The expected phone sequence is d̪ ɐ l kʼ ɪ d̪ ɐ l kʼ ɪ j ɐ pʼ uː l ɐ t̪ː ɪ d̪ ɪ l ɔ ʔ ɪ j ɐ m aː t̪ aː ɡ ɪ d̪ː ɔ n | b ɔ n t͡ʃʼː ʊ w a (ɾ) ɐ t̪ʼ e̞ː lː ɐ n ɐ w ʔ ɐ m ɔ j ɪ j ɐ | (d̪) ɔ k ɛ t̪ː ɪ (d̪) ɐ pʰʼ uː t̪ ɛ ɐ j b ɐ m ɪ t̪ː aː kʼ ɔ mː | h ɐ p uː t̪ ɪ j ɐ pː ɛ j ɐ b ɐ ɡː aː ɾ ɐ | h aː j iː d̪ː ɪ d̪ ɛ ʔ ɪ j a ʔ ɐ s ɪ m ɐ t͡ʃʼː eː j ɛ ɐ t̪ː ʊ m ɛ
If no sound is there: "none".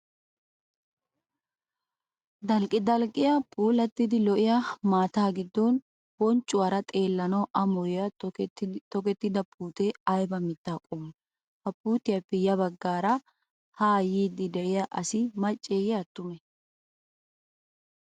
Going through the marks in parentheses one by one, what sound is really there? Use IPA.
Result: ɾ, t̪, d̪

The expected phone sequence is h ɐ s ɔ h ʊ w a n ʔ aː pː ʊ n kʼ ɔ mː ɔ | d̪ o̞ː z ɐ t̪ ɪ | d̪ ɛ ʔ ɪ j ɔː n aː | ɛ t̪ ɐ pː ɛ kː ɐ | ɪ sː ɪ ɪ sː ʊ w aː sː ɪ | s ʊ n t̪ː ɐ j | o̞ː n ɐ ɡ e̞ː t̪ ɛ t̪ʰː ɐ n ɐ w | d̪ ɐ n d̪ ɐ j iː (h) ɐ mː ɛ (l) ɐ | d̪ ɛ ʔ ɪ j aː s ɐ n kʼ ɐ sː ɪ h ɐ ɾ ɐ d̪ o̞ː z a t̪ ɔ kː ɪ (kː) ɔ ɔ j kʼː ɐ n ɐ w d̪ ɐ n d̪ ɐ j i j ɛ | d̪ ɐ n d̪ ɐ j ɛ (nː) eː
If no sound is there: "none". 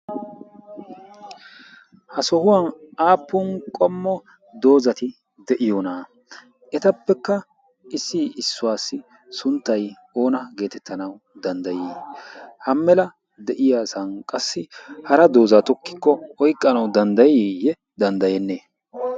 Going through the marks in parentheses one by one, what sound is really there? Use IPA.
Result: h, l, kː, nː

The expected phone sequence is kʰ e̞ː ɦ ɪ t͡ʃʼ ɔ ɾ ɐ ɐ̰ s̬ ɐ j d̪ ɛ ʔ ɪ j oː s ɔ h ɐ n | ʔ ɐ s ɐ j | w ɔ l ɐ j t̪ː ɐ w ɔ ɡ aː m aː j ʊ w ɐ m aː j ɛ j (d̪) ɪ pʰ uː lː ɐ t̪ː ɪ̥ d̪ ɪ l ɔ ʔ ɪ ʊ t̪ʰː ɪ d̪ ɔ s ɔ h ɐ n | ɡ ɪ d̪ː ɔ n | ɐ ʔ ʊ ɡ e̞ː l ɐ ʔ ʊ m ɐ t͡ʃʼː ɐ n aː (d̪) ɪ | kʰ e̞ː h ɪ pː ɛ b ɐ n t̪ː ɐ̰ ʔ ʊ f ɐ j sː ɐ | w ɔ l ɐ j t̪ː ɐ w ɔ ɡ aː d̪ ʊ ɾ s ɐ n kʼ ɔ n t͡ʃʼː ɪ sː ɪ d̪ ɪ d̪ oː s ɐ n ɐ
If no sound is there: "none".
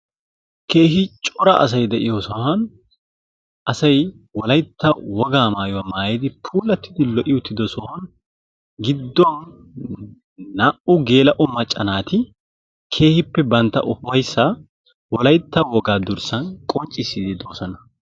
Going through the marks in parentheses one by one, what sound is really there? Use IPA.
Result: d̪, t̪

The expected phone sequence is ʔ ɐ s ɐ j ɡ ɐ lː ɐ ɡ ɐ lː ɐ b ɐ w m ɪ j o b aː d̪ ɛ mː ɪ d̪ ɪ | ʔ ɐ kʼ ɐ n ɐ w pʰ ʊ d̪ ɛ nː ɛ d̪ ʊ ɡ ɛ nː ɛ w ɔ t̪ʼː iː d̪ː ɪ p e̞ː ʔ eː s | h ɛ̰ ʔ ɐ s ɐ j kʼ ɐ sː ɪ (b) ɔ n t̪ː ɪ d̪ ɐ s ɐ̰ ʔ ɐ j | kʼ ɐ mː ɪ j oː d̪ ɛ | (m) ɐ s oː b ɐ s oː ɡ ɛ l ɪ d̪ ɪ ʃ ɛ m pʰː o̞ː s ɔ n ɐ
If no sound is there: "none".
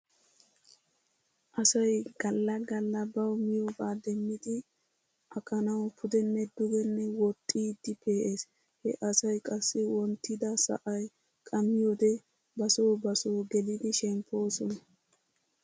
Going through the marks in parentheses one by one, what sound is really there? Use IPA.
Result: w, b

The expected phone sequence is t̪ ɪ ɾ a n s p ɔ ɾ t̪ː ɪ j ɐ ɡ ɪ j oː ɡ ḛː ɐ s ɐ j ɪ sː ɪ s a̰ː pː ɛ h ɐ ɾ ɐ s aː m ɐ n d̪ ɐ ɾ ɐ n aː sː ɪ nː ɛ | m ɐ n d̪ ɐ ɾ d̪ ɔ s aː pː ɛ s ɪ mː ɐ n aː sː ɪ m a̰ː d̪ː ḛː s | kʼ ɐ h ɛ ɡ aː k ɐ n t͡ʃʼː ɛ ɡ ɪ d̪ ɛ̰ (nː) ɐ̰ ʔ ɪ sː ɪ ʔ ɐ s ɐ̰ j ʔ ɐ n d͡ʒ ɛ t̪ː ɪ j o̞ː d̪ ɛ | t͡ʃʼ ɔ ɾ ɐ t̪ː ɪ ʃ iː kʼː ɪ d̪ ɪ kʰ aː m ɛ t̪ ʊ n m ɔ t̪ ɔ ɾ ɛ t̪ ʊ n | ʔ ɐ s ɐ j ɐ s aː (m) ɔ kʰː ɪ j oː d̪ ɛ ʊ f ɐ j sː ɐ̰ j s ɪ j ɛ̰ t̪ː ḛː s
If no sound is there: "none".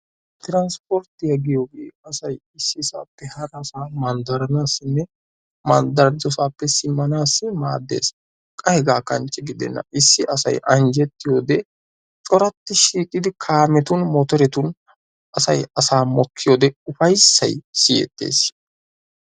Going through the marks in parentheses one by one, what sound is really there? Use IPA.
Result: nː, m

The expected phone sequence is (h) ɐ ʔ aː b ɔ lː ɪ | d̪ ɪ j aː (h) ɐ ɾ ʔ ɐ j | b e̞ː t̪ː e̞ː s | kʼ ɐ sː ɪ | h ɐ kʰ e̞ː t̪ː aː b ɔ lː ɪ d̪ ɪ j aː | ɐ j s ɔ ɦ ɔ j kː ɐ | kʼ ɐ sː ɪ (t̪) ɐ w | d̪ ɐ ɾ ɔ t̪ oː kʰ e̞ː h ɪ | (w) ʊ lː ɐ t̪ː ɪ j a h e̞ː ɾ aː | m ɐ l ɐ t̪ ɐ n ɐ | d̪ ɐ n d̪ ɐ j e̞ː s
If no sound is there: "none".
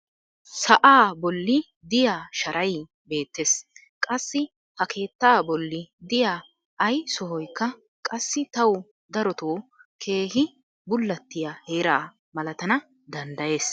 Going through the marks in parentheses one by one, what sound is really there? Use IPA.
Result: s, ʃ, t̪, b

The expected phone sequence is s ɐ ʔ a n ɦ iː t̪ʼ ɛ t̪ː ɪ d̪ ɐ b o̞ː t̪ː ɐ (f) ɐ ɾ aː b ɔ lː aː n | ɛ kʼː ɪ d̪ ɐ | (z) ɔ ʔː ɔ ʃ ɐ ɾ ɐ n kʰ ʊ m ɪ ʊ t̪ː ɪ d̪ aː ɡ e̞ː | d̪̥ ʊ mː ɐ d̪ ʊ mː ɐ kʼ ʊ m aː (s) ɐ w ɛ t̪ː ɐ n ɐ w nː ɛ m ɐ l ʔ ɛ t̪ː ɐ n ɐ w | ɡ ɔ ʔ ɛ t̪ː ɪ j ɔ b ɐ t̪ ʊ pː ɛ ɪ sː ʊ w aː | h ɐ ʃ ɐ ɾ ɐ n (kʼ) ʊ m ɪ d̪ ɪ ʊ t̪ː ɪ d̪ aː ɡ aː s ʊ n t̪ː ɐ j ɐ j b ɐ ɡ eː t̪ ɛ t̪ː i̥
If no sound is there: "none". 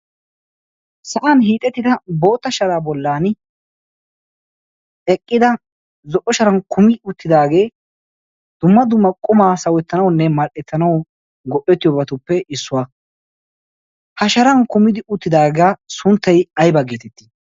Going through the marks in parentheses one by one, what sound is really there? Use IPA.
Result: ʃ, z, s, k

